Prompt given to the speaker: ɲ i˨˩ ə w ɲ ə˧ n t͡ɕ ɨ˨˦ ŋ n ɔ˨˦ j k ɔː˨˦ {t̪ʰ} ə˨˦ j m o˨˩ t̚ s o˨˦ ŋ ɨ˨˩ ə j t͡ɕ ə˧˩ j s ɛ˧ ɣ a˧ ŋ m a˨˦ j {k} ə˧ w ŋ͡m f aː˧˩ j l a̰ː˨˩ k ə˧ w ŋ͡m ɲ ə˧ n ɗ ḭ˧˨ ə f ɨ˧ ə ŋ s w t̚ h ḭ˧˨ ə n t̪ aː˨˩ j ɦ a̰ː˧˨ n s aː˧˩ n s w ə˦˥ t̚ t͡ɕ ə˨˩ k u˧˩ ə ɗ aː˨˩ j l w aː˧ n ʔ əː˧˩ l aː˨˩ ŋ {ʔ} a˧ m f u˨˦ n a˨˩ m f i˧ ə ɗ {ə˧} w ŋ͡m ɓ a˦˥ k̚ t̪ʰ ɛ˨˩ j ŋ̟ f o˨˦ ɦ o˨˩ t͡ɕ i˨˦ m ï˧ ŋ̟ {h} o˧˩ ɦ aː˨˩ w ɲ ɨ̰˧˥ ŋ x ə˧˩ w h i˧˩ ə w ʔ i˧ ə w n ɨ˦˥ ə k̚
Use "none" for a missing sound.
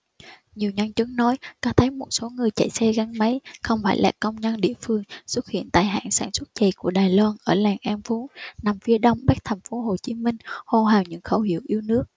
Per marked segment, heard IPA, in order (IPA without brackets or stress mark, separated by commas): t̪ʰ, x, ʔ, ə˧, h